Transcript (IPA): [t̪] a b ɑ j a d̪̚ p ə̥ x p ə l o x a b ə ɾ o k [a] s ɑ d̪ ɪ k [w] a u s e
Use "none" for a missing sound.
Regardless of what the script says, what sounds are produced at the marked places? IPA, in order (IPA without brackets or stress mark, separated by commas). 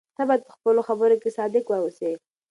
t̪, e, w